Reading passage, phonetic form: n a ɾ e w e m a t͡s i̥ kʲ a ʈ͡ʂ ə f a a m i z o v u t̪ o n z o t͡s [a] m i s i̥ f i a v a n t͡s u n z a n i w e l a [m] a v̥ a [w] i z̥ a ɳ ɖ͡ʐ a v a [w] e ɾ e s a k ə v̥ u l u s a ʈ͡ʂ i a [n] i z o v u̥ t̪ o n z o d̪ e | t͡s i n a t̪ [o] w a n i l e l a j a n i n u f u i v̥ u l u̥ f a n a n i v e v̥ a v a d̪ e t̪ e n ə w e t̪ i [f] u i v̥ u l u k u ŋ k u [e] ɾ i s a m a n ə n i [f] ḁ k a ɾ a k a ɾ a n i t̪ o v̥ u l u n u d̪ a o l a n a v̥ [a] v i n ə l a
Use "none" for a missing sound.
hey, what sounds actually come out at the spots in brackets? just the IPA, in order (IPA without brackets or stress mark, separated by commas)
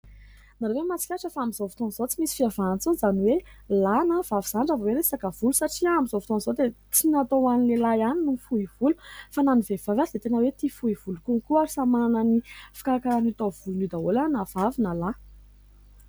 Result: i, n, v, w, m, o, f, a, f, a